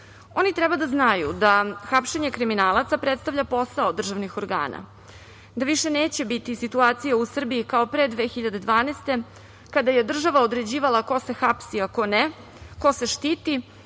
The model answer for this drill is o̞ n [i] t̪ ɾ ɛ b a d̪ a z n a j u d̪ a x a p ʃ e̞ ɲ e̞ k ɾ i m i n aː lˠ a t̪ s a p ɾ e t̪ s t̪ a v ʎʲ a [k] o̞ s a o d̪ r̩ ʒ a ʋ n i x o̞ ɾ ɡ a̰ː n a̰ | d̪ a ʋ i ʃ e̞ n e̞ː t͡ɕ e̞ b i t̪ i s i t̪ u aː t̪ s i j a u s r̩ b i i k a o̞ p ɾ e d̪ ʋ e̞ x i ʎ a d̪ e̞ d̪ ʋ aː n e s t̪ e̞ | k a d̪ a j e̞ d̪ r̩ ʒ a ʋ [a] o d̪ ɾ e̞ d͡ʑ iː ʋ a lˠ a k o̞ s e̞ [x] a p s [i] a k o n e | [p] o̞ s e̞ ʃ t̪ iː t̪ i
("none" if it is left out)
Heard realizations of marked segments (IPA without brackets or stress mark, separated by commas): i, p, a, x, i, k